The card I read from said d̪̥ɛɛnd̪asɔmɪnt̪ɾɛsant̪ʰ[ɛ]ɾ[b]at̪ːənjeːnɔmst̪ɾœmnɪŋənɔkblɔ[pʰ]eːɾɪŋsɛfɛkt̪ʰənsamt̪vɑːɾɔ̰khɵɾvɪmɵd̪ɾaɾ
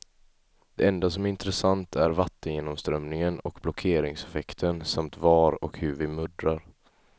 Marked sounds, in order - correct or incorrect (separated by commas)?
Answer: incorrect, incorrect, incorrect